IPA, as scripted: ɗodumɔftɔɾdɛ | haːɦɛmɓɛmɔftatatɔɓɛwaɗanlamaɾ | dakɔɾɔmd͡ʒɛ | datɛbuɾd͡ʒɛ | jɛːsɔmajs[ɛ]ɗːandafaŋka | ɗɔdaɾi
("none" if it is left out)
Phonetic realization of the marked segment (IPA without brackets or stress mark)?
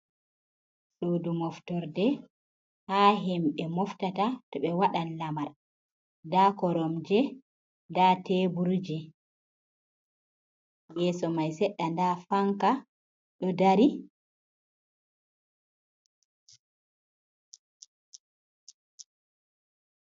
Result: ɛ